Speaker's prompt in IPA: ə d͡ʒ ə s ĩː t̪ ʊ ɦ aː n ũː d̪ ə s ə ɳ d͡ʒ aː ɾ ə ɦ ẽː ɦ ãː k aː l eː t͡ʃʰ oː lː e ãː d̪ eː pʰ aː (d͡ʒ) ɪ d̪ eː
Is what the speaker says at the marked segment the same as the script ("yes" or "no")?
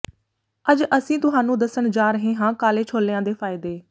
no